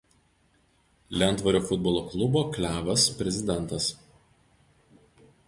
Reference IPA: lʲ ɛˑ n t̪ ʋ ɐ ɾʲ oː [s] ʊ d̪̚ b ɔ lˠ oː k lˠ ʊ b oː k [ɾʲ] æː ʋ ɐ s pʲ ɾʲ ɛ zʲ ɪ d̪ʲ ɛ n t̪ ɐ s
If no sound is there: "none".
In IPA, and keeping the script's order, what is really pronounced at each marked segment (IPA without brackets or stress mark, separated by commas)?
f, lʲ